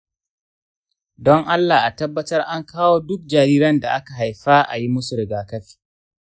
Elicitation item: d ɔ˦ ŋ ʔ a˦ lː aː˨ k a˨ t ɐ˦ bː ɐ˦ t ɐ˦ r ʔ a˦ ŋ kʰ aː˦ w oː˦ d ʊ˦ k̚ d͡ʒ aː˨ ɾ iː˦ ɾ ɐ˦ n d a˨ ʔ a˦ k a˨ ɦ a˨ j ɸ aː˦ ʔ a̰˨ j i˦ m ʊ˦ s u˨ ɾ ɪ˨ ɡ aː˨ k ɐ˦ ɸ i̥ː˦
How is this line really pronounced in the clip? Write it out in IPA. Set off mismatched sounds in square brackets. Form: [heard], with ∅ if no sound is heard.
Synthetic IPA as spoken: d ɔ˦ ŋ ʔ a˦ lː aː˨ [ʔ] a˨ t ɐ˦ bː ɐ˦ t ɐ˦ r ʔ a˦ ŋ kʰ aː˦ w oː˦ d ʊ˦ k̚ d͡ʒ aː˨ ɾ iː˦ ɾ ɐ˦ n d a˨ ʔ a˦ k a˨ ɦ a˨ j ɸ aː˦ ʔ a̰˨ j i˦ m ʊ˦ s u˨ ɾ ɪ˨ ɡ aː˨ k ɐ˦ ɸ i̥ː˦

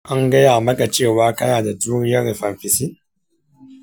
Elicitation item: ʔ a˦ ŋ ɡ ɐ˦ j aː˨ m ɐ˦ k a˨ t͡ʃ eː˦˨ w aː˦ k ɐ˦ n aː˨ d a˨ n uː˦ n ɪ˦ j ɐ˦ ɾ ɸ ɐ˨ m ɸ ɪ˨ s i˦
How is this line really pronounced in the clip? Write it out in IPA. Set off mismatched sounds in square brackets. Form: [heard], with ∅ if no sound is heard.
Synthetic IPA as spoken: ʔ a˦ ŋ ɡ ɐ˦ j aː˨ m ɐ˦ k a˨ t͡ʃ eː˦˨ w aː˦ k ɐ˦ n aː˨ d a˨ [d] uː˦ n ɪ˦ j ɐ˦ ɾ ɸ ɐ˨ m ɸ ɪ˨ s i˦

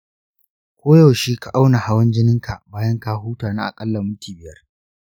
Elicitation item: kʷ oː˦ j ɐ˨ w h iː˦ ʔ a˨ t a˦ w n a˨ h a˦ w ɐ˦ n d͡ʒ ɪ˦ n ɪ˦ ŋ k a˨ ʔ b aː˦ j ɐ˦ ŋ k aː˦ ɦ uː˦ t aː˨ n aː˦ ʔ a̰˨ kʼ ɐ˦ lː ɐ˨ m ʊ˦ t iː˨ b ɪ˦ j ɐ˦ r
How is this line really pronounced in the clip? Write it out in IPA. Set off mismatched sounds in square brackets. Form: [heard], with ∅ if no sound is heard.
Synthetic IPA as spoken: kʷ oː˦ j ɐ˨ w [ʃ] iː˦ [k] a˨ [ʔ] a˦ w n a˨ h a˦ w ɐ˦ n d͡ʒ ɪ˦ n ɪ˦ ŋ k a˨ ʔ b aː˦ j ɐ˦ ŋ k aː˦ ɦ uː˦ t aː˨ n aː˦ ʔ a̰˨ kʼ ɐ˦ lː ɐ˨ m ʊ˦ t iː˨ b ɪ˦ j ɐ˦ r

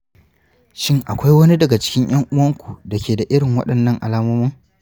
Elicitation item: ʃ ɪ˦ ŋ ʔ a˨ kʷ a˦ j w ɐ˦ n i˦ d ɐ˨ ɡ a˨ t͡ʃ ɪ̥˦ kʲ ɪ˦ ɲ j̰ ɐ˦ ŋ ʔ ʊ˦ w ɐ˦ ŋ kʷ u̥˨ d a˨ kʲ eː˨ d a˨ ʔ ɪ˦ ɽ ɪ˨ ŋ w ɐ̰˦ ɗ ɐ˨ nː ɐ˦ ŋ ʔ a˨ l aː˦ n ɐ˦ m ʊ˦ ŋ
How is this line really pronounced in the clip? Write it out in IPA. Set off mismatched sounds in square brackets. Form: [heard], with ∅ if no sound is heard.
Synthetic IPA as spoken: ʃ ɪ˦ ŋ ʔ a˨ kʷ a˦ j w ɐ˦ n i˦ d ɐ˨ ɡ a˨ t͡ʃ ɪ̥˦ kʲ ɪ˦ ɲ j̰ ɐ˦ ŋ ʔ ʊ˦ w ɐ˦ ŋ kʷ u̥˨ d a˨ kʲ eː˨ d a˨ ʔ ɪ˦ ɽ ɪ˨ ŋ w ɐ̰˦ ɗ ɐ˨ nː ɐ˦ ŋ ʔ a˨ l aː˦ [m] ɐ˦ m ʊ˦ ŋ

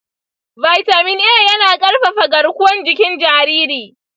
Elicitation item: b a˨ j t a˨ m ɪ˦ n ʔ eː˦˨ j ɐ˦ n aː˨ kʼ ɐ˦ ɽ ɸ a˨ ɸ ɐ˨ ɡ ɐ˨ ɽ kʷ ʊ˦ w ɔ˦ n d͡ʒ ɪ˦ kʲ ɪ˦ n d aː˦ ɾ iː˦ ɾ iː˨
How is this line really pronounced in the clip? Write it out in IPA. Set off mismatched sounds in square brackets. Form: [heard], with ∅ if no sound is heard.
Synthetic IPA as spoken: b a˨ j t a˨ m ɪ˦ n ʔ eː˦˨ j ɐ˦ n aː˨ kʼ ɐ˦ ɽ ɸ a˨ ɸ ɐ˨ ɡ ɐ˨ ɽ kʷ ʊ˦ w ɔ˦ n d͡ʒ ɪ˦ kʲ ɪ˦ n [d͡ʒ] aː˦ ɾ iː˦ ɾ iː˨

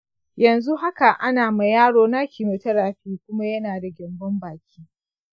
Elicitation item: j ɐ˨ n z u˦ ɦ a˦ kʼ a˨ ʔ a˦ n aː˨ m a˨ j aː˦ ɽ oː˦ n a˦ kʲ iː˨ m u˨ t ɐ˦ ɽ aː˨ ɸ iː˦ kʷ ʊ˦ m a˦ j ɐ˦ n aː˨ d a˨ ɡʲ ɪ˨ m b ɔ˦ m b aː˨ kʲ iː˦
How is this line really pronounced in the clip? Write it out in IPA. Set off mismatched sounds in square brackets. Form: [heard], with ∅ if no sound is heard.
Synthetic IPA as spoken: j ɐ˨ n z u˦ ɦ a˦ [k] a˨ ʔ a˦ n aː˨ m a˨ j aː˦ ɽ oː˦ n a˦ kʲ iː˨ m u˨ t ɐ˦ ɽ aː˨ ɸ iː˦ kʷ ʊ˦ m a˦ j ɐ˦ n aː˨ d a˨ ɡʲ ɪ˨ m b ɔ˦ m b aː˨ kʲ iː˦

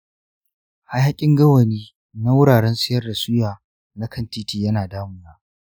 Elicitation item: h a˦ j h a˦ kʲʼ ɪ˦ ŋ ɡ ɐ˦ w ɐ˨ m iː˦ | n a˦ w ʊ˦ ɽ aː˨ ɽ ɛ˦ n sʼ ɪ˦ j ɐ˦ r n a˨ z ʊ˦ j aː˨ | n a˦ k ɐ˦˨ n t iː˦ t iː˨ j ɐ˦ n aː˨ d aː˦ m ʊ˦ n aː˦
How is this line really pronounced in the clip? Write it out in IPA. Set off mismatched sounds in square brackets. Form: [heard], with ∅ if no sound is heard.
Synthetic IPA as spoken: h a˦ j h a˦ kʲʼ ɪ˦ ŋ ɡ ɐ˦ w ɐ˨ [n] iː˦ | n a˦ w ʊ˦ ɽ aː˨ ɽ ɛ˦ n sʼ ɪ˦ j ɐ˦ r [d] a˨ [s] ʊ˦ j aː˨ | n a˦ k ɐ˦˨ n t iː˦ t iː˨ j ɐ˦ n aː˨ d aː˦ m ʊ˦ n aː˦

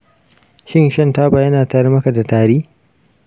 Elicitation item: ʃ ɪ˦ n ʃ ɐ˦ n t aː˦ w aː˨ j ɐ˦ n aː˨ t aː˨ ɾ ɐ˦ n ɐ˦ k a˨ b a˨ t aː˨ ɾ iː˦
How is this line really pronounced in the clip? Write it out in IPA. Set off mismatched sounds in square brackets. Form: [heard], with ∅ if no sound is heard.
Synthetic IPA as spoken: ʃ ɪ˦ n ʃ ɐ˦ n t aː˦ [b] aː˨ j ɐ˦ n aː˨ t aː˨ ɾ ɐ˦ [m] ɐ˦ k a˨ [d] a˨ t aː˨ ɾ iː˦

